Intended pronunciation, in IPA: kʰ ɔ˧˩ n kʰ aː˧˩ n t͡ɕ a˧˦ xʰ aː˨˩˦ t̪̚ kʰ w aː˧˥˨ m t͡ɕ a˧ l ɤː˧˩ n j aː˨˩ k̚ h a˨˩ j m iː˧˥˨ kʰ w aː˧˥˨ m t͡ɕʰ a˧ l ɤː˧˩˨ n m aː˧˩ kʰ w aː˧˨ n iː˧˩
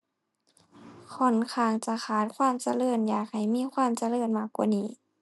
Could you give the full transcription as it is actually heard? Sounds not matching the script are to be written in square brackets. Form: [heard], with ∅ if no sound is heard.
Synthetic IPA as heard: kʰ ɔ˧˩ n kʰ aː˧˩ [ŋ] t͡ɕ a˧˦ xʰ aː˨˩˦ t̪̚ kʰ w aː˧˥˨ m t͡ɕ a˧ l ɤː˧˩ n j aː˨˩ k̚ h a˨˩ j m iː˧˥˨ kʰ w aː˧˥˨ m [t͡ɕ] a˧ l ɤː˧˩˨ n m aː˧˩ [k] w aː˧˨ n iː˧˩

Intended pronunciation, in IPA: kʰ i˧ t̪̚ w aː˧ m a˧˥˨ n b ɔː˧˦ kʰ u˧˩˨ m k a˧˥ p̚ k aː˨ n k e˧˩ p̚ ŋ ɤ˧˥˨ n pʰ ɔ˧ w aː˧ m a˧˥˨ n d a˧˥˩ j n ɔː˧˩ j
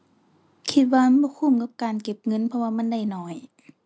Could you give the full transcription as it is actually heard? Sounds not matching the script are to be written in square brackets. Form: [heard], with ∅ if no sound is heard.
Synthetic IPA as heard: kʰ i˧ t̪̚ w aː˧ m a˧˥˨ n b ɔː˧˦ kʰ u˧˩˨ m k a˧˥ p̚ k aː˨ n k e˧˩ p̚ ŋ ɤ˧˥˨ n pʰ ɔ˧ w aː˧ m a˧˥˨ n d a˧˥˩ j n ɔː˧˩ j

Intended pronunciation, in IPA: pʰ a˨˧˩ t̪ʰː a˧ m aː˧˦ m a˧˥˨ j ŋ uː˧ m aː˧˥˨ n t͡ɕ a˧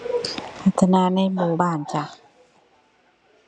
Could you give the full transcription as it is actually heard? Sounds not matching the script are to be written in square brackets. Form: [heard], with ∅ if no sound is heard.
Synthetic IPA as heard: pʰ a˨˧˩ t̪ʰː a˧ [n] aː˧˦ [n] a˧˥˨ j [m] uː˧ [b] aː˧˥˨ n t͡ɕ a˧

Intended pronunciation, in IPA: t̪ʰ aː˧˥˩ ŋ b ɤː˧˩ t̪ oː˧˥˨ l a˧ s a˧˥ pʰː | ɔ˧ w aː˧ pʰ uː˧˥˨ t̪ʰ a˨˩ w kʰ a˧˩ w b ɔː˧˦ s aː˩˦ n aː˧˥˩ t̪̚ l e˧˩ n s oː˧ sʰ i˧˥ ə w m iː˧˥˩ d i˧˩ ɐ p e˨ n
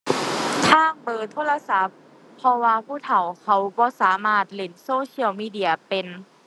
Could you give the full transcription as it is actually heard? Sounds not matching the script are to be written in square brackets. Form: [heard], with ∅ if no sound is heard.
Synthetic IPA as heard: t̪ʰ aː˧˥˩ ŋ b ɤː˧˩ [t̪ʰ] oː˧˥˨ l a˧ s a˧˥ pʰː | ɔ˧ w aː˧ pʰ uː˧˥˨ t̪ʰ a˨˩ w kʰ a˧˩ w b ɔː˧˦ s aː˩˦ [m] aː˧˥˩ t̪̚ l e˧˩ n s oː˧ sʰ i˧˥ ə w m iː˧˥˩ d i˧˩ ɐ p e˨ n

